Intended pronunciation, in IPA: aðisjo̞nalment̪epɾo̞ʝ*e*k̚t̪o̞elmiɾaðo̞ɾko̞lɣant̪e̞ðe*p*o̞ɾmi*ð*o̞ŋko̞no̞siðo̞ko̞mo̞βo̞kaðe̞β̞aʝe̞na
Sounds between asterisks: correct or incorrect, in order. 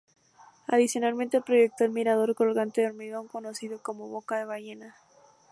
correct, incorrect: none, incorrect: ɣ

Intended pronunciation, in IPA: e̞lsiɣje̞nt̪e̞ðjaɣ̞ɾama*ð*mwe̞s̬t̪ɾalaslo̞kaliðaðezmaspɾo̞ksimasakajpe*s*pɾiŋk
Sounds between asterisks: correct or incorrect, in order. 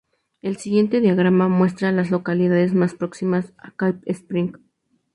incorrect: none, correct

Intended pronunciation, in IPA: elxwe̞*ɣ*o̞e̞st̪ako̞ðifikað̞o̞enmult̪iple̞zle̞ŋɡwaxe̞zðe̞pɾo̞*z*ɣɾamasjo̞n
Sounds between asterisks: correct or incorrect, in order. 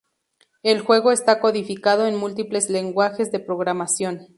correct, incorrect: none

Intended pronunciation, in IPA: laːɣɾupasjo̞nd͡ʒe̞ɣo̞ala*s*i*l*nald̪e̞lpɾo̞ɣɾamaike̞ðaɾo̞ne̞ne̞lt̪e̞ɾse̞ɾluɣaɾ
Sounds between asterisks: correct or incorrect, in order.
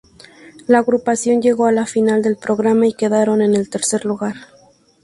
incorrect: f, incorrect: none

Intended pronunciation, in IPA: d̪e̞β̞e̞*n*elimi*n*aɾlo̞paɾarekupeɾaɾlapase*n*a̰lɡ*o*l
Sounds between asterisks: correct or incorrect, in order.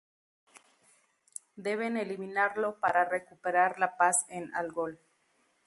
correct, correct, correct, correct

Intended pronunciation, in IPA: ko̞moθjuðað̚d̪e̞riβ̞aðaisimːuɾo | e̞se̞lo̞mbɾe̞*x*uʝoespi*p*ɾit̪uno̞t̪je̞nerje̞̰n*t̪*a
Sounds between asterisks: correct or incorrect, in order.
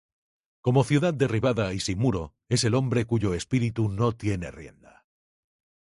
incorrect: k, incorrect: none, incorrect: d̪

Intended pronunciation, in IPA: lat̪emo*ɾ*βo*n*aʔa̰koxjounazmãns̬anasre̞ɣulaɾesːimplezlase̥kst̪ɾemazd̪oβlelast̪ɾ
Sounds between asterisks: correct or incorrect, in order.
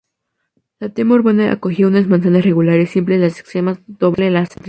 correct, correct

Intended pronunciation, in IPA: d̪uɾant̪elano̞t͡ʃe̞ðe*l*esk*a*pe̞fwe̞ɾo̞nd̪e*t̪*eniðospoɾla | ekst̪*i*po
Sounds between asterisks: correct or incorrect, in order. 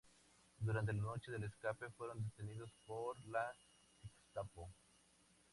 correct, correct, correct, incorrect: a

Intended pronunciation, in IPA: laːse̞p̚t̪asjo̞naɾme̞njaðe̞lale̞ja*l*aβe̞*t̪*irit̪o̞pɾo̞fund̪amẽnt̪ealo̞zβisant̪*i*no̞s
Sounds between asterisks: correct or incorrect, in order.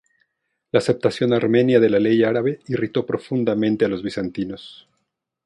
incorrect: ɾ, incorrect: none, correct

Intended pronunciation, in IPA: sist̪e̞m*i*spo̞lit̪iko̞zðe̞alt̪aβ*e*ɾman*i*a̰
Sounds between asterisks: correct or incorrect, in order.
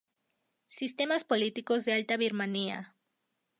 incorrect: a, incorrect: i, correct

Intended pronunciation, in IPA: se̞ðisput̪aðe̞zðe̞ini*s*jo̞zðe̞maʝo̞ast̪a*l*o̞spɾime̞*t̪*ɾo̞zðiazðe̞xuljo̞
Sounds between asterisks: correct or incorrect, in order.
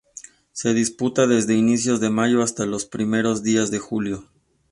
correct, correct, incorrect: none

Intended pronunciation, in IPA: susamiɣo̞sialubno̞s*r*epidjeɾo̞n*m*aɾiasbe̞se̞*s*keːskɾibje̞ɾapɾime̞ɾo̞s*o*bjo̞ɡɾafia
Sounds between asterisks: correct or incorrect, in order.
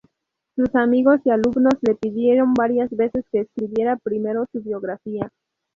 incorrect: l, incorrect: b, correct, incorrect: u

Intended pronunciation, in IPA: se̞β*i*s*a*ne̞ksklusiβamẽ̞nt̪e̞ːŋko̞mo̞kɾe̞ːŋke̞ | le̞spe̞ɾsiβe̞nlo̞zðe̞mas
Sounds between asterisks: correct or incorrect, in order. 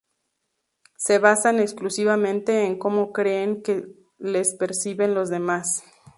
incorrect: a, correct

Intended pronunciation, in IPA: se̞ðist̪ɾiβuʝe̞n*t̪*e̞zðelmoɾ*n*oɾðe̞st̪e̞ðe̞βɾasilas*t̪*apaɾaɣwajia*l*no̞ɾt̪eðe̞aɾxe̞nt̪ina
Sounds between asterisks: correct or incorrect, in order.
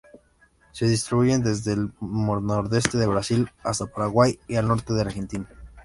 incorrect: d̪, correct, correct, correct

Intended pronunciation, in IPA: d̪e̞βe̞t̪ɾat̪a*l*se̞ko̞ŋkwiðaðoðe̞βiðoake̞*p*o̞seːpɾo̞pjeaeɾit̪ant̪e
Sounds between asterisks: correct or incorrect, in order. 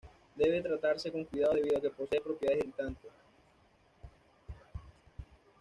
incorrect: ɾ, correct

